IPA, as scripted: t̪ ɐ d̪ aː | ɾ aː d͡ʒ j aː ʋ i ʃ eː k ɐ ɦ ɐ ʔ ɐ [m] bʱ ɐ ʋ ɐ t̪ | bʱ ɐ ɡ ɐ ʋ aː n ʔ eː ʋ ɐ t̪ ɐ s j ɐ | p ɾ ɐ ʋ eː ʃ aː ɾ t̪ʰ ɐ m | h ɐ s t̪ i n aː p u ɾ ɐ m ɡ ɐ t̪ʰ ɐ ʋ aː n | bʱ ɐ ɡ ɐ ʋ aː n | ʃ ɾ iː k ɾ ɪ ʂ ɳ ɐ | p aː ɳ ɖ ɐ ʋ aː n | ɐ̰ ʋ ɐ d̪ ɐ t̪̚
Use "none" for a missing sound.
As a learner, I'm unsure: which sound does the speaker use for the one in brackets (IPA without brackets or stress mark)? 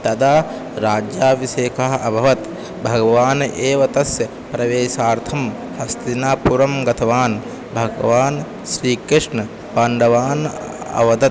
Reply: none